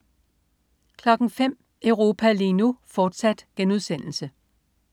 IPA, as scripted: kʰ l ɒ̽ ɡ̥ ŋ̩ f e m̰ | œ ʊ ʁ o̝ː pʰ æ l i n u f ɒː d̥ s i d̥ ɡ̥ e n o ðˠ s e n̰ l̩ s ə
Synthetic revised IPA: kʰ l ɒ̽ ɡ̥ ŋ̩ f e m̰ | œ ʊ ʁ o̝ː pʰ æ l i n u f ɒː d̥ s æ d̥ ɡ̥ e n u ðˠ s e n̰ l̩ s ə